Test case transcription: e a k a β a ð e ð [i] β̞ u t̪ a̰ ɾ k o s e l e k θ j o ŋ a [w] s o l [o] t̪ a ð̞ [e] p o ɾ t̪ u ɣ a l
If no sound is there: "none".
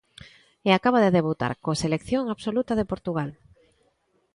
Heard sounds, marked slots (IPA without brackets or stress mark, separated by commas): e, β, u, e